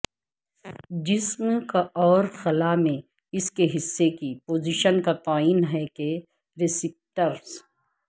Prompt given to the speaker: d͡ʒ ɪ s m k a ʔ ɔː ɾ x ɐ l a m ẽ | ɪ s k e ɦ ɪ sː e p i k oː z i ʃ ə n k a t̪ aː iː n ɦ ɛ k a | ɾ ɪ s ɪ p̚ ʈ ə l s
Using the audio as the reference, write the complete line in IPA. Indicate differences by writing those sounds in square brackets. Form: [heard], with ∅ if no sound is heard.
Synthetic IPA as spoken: d͡ʒ ɪ s m k a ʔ ɔː ɾ x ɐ l a m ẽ | ɪ s k e ɦ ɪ sː e [k] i [p] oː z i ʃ ə n k a t̪ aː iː n ɦ ɛ k [e] | ɾ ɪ s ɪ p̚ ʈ ə [ɾ] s